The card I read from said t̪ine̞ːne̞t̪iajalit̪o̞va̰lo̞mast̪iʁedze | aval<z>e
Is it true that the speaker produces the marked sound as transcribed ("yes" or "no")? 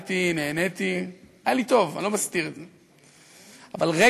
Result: no